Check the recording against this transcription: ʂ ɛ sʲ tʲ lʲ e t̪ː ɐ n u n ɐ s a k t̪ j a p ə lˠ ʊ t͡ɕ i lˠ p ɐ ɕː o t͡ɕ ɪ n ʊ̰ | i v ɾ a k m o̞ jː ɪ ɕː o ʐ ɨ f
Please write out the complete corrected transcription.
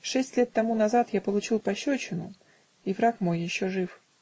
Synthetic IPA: ʂ ɛ sʲ tʲ lʲ e t̪ː ɐ m u n ɐ z a t̪ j a p ə lˠ ʊ t͡ɕ i lˠ p ɐ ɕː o t͡ɕ ɪ n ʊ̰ | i v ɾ a k m o̞ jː ɪ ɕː o ʐ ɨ f